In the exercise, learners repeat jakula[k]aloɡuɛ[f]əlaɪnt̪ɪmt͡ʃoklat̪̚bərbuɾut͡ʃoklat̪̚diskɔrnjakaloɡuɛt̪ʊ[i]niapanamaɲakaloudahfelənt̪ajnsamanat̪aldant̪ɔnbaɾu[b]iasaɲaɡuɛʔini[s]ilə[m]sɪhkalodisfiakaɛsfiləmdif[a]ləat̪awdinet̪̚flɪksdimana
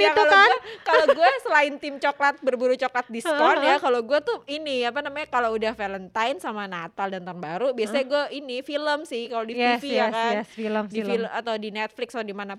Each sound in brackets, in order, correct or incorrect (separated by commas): correct, incorrect, correct, correct, incorrect, correct, incorrect